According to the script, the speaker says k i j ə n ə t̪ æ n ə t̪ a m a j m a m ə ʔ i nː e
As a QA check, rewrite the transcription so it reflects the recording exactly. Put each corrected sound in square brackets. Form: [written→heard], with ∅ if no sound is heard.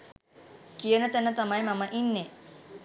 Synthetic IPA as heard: k i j ə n ə t̪ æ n ə t̪ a m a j m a m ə ʔ i nː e